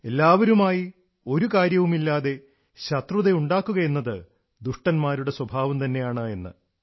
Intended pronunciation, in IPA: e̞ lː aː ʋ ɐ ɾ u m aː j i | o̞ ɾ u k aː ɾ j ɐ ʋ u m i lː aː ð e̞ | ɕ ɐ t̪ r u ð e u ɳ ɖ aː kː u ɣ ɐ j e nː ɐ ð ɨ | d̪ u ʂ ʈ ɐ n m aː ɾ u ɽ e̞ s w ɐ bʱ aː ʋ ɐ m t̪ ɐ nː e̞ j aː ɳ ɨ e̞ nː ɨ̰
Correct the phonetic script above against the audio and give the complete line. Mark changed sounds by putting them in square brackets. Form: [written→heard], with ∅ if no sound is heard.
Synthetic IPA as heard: e̞ lː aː ʋ ɐ ɾ u m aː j i | o̞ ɾ u k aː ɾ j ɐ ʋ u m i lː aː ð e̞ | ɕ ɐ t̪ r u ð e u ɳ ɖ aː kː u ɣ ɐ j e nː ɐ ð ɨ | d̪ u ʂ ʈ ɐ n m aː ɾ u ɽ e̞ s w ɐ bʱ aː ʋ ɐ m t̪ ɐ nː e̞ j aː ɳ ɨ e̞ nː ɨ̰